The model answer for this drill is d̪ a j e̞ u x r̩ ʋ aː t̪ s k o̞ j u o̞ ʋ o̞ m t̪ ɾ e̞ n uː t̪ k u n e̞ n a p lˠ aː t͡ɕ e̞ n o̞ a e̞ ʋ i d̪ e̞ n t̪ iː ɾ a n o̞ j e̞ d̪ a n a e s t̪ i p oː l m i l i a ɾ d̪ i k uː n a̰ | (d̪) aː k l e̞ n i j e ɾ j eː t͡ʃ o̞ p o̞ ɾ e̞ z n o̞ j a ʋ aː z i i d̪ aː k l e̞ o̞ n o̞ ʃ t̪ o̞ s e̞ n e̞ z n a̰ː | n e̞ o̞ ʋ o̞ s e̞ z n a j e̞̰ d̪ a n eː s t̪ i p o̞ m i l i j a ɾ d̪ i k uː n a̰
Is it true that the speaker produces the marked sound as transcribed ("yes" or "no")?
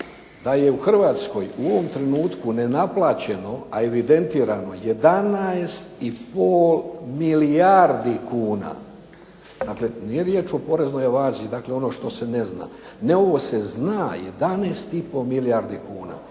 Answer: yes